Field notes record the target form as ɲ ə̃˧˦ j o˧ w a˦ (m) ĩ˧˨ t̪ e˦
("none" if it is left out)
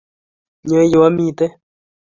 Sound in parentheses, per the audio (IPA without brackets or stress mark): m